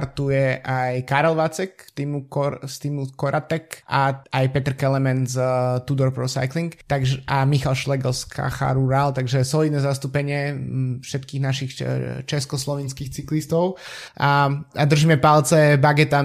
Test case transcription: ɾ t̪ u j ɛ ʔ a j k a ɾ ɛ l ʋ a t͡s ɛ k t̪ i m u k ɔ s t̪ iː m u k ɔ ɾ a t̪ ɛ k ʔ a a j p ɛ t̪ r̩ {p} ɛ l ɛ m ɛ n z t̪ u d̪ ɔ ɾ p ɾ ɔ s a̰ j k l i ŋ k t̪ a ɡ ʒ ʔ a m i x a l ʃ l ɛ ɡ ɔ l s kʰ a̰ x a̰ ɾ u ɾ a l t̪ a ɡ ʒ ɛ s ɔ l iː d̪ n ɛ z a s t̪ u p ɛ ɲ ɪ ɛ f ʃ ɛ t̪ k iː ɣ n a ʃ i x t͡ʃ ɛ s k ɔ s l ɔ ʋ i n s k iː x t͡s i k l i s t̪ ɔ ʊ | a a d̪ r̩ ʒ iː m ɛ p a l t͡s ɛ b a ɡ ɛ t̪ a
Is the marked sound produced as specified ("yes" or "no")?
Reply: no